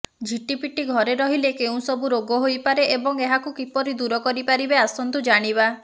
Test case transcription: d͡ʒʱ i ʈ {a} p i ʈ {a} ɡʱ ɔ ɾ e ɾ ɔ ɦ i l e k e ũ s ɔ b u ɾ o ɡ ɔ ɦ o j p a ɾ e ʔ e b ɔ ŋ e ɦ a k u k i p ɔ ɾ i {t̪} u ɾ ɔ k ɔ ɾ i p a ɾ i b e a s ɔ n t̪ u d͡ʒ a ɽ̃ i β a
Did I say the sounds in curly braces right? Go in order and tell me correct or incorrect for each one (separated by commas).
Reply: incorrect, incorrect, incorrect